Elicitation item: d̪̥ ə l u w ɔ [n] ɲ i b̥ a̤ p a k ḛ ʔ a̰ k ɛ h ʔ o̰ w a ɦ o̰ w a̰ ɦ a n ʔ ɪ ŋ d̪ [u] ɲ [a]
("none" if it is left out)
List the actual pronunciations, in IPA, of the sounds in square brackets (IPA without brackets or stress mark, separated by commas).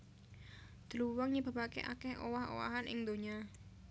ŋ, o, a